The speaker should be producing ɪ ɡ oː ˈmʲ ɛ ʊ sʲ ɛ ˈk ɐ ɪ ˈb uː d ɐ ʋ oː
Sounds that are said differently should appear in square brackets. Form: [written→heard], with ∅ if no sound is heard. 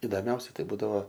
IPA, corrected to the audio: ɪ [ɡ→d] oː ˈmʲ ɛ ʊ sʲ ɛ [ˈk→ˈt] ɐ ɪ ˈb uː d ɐ ʋ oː